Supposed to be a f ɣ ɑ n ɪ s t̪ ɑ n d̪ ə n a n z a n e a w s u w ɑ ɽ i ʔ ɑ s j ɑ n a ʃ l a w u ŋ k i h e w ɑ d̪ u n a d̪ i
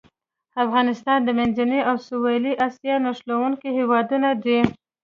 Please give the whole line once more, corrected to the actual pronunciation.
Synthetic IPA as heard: a f ɣ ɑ n ɪ s t̪ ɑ n d̪ ə m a n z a n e a w s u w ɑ l i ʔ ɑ s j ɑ n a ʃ l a w u ŋ k i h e w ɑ d̪ u n a d̪ i